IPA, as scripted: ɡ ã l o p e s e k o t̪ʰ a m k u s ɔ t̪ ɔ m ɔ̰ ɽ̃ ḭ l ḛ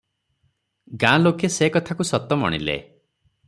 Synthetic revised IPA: ɡ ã l o k e s e k ɔ t̪ʰ a k u s ɔ t̪ ɔ m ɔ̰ ɽ̃ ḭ l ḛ